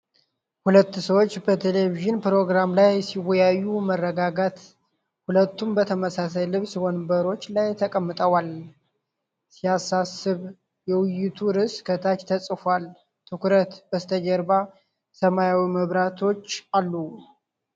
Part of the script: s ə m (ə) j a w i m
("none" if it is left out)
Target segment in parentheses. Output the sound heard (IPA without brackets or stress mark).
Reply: a